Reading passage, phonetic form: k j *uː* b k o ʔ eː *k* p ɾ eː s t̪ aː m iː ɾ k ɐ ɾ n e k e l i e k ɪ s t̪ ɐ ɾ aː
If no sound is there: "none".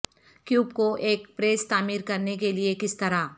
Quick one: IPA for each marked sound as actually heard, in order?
uː, k

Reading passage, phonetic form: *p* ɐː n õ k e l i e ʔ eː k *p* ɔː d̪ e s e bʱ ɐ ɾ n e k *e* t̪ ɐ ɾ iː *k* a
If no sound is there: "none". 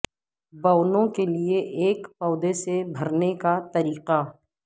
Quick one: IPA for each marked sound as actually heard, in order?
b, p, a, q

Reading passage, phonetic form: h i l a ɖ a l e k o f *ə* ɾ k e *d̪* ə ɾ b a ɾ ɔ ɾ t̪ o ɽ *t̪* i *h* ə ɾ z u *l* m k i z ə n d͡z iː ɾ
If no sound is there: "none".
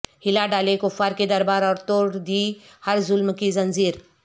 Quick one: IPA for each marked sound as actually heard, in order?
a, d̪, d̪, h, l

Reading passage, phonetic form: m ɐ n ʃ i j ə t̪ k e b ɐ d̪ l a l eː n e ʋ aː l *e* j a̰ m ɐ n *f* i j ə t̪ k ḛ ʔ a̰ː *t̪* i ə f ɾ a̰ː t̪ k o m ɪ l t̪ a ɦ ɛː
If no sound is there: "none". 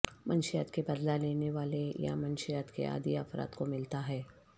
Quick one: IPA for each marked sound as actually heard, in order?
e, ʃ, d̪

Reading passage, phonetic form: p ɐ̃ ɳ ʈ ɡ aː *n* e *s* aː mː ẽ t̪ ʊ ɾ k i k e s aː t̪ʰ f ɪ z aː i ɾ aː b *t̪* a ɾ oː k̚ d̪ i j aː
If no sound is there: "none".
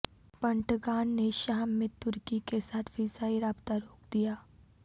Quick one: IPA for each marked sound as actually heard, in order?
nː, ʃ, t̪

